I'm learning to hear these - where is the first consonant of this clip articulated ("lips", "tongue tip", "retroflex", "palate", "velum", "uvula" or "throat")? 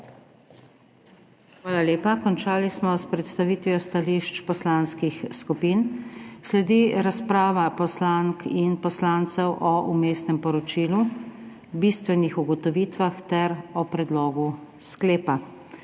velum